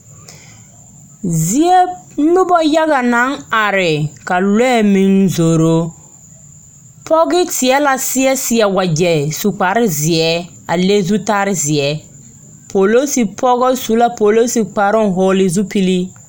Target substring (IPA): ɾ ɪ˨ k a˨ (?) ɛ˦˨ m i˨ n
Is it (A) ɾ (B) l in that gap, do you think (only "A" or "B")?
B